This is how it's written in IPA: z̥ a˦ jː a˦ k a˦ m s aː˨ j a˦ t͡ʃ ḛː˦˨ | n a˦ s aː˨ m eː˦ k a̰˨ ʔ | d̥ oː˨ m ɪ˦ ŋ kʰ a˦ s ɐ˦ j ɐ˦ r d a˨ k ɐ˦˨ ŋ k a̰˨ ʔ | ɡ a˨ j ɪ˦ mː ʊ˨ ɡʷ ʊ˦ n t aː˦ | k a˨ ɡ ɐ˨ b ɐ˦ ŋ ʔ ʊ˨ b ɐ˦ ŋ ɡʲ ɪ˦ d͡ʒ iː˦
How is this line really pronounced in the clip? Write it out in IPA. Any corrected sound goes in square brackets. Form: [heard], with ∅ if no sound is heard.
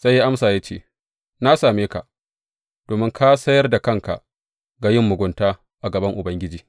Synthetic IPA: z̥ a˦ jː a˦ [ʔ] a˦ m s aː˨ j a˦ t͡ʃ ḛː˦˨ | n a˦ s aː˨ m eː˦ k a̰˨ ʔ | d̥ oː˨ m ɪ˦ ŋ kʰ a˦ s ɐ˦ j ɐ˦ r d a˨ k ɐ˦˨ ŋ k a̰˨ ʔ | ɡ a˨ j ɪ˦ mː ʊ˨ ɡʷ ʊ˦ n t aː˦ | [ʔ] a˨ ɡ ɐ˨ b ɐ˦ ŋ ʔ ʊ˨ b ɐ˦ ŋ ɡʲ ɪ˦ d͡ʒ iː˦